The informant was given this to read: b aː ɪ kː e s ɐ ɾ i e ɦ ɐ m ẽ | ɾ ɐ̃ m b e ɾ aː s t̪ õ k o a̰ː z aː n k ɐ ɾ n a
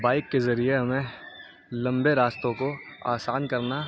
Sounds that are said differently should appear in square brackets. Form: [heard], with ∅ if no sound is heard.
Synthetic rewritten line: b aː ɪ kː e [z] ɐ ɾ i e ɦ ɐ m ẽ | [l] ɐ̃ m b e ɾ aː s t̪ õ k o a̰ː [s] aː n k ɐ ɾ n a

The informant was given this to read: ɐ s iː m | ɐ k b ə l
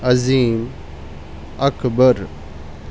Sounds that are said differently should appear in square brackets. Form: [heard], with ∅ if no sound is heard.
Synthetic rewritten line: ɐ [z] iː m | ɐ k b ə [ɾ]

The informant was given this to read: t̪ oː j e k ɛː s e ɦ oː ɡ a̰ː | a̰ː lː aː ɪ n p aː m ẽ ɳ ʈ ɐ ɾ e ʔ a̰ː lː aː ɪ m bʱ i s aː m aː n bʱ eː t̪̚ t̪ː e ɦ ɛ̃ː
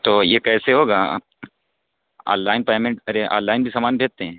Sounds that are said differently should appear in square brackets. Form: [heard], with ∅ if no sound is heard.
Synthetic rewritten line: t̪ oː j e k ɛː s e ɦ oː ɡ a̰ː | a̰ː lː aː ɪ n p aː m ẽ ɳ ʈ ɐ ɾ e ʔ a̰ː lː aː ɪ [n] bʱ i s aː m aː n bʱ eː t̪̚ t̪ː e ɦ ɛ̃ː

